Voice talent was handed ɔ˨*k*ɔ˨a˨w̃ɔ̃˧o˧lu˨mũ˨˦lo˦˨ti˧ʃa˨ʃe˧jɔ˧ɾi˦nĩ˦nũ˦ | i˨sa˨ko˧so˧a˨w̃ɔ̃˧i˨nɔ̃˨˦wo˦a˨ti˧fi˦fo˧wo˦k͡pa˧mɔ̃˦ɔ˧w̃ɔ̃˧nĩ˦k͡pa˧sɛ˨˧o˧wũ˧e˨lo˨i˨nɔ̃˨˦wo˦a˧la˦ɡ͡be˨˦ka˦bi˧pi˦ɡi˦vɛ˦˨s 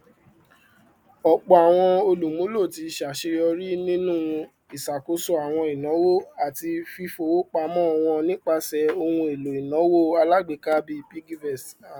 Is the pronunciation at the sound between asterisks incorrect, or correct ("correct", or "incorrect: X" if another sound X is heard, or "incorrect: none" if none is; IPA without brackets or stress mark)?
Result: incorrect: k͡p